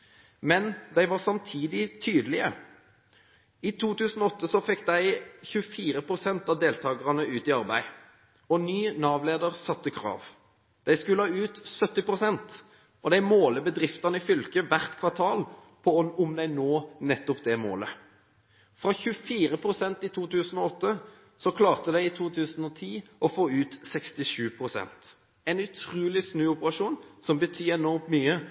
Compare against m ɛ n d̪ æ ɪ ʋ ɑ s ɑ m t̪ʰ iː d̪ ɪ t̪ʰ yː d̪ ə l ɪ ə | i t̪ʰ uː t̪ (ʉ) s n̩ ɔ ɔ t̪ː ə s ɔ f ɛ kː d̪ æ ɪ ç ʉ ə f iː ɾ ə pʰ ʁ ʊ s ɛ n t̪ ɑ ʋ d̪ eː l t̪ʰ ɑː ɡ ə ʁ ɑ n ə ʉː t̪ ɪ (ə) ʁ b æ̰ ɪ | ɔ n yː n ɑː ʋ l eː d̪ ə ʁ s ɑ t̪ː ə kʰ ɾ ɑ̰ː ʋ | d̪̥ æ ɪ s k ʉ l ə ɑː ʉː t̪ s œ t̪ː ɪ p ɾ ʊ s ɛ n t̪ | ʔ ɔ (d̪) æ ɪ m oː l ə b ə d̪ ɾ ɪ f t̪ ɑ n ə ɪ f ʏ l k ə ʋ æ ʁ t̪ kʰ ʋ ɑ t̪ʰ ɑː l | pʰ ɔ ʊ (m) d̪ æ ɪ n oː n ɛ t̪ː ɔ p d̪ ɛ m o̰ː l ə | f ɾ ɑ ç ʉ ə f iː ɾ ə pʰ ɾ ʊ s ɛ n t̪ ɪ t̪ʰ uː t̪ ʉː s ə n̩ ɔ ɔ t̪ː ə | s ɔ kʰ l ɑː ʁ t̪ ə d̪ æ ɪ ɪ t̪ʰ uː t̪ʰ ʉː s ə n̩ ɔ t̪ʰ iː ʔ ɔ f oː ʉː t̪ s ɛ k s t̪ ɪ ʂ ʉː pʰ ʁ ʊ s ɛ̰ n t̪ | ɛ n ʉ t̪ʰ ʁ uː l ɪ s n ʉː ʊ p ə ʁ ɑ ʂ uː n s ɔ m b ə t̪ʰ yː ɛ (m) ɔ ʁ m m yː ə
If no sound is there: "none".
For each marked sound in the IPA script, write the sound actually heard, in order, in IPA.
ʉː, ɑ, d̪, m, n

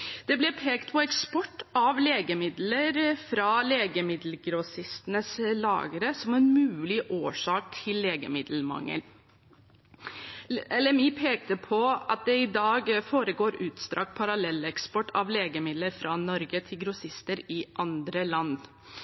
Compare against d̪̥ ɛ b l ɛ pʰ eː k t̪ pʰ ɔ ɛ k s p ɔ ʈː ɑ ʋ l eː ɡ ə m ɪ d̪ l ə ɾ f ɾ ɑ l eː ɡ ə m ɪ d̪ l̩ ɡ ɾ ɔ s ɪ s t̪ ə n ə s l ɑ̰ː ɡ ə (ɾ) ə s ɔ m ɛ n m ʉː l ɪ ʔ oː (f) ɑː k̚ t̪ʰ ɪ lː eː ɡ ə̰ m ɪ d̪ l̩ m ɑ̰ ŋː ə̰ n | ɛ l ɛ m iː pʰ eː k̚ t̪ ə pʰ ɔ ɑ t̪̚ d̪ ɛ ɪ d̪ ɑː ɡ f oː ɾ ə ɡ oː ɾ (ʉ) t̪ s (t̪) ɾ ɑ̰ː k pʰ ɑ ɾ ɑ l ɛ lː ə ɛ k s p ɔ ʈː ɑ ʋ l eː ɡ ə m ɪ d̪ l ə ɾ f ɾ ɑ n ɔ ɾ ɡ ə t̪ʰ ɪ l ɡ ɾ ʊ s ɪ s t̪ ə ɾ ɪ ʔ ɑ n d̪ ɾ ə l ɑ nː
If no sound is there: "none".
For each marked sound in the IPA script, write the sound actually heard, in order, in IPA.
ɾ, ʂ, ʉː, t̪

